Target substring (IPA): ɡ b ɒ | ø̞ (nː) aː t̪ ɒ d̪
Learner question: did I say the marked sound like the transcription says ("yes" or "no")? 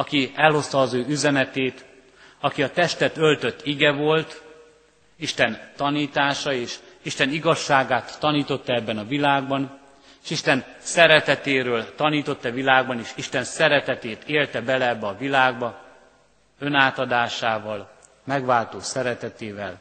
no